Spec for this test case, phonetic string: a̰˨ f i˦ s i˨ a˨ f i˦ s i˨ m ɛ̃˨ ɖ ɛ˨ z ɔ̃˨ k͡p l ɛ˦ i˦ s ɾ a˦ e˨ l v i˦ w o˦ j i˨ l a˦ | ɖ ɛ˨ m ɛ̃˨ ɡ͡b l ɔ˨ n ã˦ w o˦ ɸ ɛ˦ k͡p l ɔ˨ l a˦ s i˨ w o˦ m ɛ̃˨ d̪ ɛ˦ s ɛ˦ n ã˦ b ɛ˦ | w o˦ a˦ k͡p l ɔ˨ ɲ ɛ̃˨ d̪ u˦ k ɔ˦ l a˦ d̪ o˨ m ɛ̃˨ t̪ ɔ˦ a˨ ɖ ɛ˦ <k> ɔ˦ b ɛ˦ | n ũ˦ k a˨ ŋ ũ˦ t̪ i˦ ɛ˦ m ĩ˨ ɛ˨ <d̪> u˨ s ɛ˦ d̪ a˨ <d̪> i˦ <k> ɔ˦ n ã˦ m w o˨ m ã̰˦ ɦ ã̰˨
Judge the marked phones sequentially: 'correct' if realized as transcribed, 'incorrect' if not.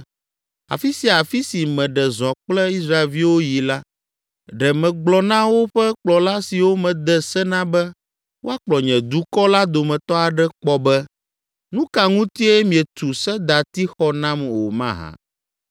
incorrect, incorrect, incorrect, incorrect

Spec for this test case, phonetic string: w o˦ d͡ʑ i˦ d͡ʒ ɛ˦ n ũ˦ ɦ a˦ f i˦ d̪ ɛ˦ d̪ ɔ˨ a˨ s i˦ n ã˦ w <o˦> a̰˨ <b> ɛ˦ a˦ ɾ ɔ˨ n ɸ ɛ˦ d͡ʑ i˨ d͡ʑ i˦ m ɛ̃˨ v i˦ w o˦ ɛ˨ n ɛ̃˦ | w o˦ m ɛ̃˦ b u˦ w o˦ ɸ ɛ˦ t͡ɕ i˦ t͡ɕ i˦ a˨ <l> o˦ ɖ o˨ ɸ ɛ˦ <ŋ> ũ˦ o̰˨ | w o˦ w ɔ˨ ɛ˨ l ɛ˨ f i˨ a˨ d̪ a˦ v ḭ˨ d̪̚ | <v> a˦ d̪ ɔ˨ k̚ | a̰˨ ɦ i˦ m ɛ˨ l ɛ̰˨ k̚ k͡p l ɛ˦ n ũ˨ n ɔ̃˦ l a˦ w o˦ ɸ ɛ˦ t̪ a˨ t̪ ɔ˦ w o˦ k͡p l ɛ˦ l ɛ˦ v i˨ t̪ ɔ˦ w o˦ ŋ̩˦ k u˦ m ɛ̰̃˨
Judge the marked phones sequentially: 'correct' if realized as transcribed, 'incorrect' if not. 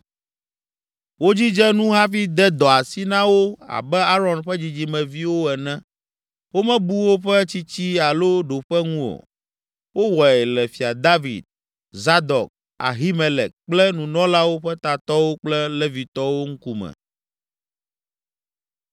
correct, correct, correct, correct, incorrect

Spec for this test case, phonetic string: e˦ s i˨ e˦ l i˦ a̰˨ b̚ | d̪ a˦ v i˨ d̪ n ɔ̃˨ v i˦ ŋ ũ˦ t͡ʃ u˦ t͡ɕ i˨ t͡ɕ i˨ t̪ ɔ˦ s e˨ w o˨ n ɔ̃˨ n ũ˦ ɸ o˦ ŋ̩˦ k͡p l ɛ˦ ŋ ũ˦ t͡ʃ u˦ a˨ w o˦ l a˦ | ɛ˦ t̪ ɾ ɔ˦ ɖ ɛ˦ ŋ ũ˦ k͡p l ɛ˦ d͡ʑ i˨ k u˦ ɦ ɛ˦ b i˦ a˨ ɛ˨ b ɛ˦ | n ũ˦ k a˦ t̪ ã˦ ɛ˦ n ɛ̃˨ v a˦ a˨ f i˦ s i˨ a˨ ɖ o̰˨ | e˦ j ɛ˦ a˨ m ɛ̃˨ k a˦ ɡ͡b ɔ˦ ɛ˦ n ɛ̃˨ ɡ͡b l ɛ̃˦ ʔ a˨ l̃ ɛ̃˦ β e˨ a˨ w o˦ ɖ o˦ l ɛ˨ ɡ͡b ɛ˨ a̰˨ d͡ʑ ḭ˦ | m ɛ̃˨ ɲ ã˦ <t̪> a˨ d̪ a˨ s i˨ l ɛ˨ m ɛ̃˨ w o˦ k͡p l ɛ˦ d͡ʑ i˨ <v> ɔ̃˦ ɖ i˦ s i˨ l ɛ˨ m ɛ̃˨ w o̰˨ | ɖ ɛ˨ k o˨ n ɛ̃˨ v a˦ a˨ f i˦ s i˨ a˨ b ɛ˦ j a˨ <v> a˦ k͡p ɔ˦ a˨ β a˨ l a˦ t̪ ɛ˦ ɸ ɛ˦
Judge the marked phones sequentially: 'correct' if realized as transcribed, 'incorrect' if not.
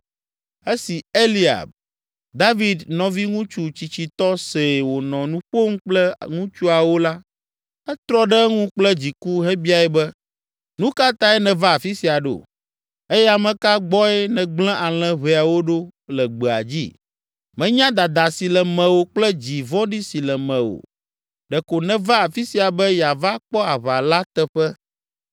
incorrect, correct, correct

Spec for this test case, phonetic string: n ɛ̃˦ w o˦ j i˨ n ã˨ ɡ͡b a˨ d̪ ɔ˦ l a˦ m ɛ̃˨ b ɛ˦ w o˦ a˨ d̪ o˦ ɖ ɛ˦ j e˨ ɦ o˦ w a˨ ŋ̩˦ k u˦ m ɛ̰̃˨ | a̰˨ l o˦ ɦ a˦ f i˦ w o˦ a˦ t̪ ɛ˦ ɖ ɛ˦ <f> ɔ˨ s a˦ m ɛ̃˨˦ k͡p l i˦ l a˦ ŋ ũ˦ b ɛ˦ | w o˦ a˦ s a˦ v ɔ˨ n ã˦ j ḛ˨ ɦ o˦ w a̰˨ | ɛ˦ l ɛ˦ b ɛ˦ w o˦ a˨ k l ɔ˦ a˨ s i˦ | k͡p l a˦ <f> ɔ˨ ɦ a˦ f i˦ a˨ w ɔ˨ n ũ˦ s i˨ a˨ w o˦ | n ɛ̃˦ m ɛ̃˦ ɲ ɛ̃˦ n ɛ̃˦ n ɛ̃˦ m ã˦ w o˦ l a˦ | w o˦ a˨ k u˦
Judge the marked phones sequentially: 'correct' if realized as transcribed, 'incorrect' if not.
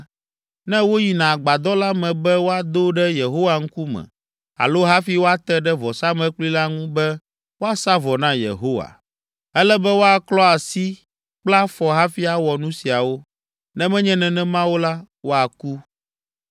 incorrect, correct

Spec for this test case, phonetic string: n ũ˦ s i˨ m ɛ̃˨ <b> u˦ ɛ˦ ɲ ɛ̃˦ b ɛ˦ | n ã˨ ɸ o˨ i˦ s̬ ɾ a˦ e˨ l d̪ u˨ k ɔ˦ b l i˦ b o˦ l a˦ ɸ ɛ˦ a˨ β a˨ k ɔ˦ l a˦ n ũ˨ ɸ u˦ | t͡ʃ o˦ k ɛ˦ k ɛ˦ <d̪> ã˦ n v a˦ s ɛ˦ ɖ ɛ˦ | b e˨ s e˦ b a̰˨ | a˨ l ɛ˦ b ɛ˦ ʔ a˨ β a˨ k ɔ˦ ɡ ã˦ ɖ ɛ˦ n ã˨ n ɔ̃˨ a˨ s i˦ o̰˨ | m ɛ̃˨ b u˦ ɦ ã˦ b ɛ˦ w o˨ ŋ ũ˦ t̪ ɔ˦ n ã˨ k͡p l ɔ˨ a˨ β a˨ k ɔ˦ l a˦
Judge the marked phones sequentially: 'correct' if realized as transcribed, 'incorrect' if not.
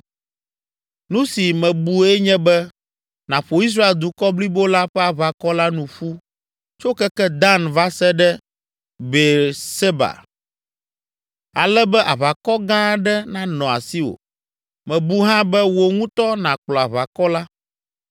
correct, correct

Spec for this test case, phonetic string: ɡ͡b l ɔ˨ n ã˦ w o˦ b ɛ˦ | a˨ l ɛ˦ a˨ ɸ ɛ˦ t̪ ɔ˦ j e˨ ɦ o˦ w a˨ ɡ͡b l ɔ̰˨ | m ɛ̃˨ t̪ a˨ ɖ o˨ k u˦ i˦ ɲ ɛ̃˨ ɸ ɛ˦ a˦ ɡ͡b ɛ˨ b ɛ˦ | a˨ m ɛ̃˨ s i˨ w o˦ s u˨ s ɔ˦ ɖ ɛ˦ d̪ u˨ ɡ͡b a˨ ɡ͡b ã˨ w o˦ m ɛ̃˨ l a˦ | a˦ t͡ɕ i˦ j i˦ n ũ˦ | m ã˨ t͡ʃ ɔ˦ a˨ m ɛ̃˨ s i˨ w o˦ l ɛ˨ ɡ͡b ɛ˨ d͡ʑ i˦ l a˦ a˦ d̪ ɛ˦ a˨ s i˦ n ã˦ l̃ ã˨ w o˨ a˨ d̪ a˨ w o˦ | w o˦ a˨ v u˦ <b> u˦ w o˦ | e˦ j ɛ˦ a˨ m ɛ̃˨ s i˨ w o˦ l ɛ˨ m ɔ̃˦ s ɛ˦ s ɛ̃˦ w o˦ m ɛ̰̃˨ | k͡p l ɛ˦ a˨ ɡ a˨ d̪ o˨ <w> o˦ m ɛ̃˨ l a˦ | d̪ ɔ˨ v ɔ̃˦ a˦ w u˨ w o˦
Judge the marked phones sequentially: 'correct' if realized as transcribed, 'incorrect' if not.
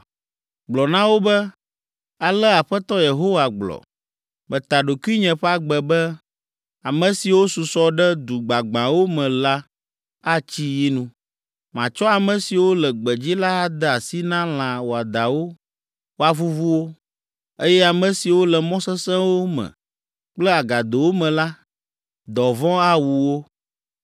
incorrect, correct

